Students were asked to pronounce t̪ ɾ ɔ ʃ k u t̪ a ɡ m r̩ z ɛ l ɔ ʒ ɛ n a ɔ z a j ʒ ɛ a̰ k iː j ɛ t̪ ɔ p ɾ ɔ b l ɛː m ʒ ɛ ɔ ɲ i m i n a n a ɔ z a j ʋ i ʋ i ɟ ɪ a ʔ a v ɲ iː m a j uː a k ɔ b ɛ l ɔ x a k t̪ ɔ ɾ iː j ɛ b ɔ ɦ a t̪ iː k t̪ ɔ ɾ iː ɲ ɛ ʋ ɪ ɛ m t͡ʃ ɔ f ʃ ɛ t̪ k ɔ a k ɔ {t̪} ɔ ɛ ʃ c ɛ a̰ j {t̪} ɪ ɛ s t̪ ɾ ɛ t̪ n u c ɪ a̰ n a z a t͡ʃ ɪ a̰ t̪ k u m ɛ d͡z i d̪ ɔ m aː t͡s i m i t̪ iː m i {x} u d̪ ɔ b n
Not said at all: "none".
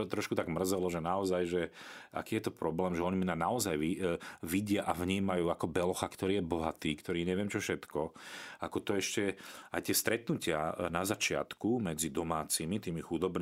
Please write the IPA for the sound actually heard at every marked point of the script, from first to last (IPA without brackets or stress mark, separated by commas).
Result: t̪, t̪, x